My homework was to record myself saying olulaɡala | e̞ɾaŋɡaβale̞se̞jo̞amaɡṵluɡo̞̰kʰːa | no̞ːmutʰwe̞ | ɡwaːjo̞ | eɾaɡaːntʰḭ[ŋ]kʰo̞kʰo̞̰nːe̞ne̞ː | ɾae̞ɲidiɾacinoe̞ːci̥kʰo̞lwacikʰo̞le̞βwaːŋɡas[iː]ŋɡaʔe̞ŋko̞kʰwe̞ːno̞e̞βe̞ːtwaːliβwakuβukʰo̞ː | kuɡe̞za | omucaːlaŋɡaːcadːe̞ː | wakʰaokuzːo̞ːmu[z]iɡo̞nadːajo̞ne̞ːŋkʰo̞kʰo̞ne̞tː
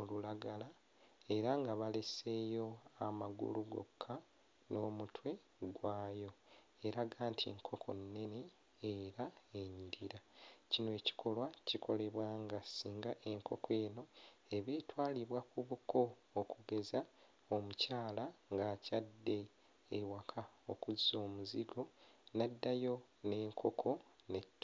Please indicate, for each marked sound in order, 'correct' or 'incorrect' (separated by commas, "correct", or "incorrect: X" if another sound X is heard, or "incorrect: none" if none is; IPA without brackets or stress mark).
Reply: correct, correct, correct